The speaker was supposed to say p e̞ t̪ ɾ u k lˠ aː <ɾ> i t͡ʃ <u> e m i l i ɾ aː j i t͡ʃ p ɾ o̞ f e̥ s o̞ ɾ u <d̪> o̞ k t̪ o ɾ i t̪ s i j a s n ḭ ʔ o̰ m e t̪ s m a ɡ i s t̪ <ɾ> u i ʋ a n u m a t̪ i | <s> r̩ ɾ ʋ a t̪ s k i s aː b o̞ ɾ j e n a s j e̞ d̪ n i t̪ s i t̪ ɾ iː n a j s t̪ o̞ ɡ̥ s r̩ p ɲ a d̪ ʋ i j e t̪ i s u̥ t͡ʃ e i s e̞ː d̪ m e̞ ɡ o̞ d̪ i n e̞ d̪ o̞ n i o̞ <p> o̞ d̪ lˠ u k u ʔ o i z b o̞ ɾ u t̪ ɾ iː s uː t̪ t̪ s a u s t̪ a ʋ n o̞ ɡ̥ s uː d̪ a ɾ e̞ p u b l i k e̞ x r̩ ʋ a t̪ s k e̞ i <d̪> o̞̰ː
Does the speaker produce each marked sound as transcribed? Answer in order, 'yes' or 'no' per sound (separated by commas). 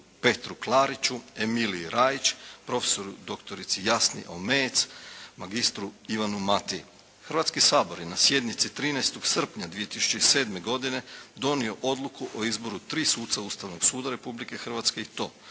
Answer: yes, yes, yes, yes, no, no, no